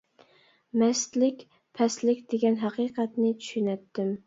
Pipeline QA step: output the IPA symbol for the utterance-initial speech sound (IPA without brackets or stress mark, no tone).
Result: m